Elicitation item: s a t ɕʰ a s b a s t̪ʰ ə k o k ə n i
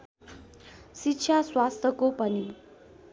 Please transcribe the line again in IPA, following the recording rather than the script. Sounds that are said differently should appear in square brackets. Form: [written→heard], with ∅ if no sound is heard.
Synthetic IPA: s [a→i] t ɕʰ a s [b→w] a s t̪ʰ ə k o [k→p] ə n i